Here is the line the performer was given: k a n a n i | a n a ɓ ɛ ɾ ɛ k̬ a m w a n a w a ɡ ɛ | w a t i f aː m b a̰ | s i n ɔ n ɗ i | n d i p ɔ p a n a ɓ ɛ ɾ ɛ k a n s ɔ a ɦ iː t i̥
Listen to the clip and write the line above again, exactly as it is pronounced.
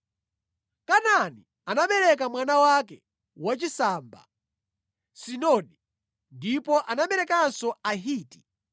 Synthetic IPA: k a n a n i | a n a ɓ ɛ ɾ ɛ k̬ a m w a n a w a k ɛ | w a t͡ʃ i s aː m b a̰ | s i n ɔ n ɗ i | n d i p ɔ ʔ a n a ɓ ɛ ɾ ɛ k a n s ɔ a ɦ iː t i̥